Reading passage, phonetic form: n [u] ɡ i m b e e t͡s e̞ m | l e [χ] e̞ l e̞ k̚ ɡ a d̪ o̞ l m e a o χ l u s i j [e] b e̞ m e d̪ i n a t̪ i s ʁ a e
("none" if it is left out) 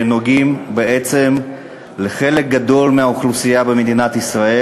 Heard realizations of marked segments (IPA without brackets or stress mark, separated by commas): o, χ, a